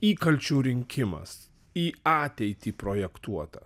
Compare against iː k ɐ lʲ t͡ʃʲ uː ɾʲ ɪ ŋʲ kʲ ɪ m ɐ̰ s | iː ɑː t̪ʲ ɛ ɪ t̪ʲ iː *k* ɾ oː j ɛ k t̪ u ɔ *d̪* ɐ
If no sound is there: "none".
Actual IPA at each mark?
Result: p, t̪

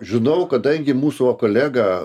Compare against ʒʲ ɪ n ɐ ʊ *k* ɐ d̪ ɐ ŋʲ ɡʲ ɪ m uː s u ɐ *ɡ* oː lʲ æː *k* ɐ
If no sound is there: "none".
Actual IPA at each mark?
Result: k, k, ɡ

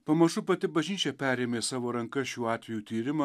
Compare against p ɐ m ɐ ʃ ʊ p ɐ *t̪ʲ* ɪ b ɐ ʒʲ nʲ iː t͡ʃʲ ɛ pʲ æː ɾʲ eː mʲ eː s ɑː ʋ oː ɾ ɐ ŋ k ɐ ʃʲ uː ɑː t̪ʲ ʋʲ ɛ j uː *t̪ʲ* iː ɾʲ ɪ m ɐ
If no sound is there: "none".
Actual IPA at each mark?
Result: t̪ʲ, t̪ʲ

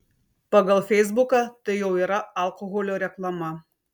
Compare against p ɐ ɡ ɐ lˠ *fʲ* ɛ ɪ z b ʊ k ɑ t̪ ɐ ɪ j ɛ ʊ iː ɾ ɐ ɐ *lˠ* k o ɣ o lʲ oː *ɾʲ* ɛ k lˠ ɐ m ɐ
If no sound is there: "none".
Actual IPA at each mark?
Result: fʲ, lˠ, ɾʲ

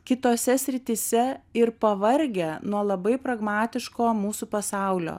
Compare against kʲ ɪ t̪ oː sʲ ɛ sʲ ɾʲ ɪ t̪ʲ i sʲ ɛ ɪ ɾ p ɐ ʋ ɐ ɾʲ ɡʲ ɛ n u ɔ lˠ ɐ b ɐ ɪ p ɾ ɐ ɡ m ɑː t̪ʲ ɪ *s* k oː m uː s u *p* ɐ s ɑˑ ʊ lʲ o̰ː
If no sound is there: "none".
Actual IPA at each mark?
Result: ʃ, p

